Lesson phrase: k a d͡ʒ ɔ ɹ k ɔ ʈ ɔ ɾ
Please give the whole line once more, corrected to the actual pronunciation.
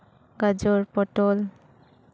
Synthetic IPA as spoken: ɡ a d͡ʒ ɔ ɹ p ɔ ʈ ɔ l